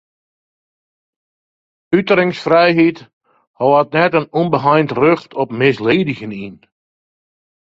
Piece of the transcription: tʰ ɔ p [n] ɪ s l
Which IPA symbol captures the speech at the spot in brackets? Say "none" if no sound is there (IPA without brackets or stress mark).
m